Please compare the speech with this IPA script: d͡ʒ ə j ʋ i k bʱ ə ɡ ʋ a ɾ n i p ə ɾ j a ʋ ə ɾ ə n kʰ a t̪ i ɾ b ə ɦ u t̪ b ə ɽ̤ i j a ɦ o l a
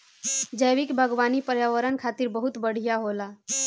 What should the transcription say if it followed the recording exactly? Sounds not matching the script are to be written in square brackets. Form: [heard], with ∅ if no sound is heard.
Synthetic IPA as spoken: d͡ʒ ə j ʋ i k bʱ ə ɡ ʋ a [∅] n i p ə ɾ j a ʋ ə ɾ ə n kʰ a t̪ i ɾ b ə ɦ u t̪ b ə ɽ̤ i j a ɦ o l a

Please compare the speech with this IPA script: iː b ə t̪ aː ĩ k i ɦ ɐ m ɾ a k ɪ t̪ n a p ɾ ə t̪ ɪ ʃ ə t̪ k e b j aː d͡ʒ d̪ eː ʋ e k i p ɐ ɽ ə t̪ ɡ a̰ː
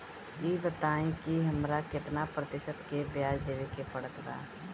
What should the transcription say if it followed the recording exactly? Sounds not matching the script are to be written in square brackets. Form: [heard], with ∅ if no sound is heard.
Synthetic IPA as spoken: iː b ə t̪ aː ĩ k i ɦ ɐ m ɾ a k ɪ t̪ n a p ɾ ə t̪ ɪ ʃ ə t̪ k e b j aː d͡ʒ d̪ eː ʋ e k [e] p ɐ ɽ ə t̪ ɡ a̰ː

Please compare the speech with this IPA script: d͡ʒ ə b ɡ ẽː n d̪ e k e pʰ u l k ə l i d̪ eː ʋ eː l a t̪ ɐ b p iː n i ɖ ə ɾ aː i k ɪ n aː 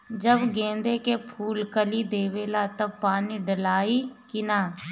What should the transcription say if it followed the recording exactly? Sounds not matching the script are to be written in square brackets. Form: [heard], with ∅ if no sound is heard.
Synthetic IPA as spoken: d͡ʒ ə b ɡ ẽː n d̪ e k e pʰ [uː] l k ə l i d̪ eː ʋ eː l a t̪ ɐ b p [aː] n i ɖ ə [l] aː i k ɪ n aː

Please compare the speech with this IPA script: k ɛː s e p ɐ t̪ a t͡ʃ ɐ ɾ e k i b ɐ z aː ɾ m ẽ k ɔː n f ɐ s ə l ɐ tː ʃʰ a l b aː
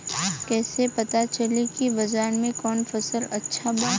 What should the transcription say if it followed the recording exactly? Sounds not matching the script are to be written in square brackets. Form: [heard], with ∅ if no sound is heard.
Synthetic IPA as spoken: k ɛː s e p ɐ t̪ a t͡ʃ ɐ [l] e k i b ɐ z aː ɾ m ẽ k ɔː n f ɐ s ə l ɐ tː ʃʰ a [∅] b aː

